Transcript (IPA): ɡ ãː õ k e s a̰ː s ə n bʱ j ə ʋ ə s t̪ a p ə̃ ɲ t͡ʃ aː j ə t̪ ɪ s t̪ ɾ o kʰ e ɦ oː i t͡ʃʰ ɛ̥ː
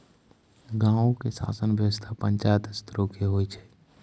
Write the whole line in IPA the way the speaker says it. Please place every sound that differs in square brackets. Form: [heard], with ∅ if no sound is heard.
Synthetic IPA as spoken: ɡ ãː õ k e s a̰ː s ə n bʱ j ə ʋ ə s [t̪ʰ] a p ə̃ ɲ t͡ʃ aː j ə t̪ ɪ s t̪ ɾ o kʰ e ɦ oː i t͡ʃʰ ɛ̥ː